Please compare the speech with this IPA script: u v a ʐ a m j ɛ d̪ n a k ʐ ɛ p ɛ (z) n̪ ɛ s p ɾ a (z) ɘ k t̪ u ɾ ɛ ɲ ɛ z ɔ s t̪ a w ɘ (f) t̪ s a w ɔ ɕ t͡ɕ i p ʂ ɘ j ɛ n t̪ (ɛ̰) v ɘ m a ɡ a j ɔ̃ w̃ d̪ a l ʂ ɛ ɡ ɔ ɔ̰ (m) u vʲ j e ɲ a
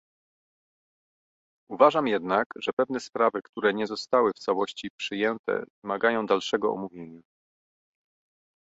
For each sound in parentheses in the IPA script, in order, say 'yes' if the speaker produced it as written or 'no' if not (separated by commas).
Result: no, no, yes, yes, yes